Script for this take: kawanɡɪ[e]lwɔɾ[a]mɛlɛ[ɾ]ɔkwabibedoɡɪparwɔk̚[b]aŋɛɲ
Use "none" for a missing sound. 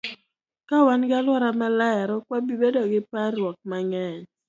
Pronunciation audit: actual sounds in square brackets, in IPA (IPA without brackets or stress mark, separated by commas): a, a, ɾ, m